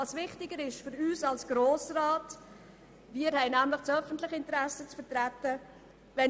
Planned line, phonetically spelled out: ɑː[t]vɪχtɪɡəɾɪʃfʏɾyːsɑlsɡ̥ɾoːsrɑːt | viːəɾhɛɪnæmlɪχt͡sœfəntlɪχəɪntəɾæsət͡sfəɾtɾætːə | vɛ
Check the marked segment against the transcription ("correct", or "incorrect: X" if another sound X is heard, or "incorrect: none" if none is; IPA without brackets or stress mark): incorrect: s